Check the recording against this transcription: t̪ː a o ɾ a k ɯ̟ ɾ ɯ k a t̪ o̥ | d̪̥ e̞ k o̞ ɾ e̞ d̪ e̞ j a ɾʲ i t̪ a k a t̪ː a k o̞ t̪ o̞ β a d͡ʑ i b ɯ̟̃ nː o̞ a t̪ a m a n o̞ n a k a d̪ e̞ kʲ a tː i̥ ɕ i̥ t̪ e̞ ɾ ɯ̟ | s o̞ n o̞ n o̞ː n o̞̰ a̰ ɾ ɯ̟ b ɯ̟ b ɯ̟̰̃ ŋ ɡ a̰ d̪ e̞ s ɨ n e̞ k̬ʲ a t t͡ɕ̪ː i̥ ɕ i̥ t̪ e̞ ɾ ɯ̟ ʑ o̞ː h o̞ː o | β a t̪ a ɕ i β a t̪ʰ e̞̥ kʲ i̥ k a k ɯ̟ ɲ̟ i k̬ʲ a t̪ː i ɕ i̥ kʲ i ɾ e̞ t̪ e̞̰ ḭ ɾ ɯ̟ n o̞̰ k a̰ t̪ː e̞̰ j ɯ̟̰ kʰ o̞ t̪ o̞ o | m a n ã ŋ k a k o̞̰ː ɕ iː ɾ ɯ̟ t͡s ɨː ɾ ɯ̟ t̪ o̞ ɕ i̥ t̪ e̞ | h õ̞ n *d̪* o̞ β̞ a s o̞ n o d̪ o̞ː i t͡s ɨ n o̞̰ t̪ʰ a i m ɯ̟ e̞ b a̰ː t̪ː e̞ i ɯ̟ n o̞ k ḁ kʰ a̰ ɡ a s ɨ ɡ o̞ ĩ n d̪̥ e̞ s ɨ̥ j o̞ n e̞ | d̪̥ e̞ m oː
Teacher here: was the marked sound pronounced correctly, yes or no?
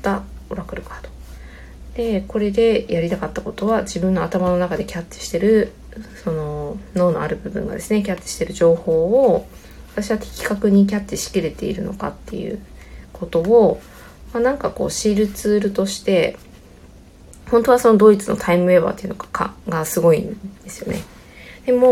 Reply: no